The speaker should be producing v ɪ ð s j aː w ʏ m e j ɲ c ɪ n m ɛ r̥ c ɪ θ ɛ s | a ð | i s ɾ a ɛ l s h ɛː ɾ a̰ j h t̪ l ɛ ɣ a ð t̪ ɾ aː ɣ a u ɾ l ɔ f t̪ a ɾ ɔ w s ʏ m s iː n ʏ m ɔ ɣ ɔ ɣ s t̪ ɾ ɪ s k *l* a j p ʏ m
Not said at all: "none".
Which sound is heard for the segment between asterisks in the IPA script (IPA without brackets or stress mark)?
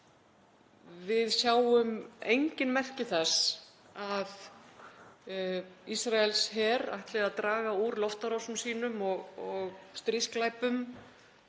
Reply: l